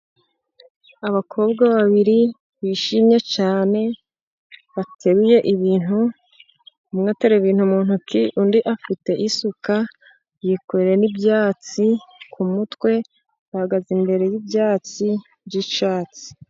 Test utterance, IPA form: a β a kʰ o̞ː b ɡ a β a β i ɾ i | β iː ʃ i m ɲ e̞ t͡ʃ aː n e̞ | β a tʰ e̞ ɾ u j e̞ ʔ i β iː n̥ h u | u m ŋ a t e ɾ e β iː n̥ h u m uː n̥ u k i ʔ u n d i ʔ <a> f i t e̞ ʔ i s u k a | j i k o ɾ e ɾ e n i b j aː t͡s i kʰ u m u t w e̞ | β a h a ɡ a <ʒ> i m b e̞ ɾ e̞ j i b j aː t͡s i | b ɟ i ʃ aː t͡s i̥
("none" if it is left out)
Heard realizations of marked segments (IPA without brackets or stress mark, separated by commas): a, z